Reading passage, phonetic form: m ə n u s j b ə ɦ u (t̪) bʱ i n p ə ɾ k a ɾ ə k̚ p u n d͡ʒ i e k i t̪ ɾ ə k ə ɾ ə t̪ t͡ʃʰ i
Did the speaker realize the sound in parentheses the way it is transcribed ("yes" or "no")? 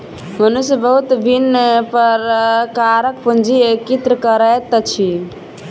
yes